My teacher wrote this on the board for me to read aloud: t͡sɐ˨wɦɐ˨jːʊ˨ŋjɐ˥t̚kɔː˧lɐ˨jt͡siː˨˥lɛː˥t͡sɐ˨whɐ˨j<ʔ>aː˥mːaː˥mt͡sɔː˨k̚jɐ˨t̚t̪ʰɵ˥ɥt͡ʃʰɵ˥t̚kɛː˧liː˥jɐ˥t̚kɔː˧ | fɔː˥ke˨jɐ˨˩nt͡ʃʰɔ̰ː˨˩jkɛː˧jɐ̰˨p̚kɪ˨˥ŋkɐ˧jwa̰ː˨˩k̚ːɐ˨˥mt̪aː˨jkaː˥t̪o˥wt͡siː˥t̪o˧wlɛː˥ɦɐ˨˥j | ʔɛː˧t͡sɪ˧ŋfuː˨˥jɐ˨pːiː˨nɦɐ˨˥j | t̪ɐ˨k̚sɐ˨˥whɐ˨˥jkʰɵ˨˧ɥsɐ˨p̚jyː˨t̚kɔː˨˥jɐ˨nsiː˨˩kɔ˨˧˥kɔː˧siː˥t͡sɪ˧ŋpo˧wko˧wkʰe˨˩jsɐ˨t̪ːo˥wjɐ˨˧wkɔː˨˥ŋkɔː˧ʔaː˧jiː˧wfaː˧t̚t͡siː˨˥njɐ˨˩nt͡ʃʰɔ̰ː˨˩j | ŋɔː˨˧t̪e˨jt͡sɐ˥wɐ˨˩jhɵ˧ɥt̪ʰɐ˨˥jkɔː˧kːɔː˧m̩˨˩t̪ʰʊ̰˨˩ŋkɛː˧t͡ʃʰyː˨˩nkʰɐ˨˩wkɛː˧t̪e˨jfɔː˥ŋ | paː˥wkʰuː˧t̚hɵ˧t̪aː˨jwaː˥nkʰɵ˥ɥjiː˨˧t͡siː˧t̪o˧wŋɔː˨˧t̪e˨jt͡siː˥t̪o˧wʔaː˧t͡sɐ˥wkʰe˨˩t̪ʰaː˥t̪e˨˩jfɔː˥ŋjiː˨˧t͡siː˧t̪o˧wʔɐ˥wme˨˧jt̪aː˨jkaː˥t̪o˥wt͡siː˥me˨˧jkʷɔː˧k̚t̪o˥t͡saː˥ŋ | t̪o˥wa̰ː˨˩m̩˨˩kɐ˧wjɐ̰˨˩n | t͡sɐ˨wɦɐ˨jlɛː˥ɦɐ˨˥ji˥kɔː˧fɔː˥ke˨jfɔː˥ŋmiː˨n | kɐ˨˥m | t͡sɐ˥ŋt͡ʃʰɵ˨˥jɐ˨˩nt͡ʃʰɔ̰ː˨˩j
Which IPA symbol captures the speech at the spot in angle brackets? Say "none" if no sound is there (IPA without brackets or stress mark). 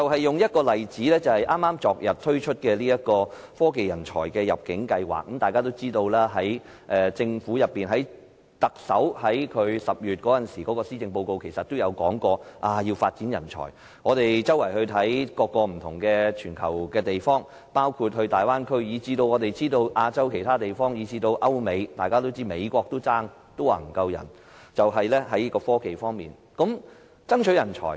ʔ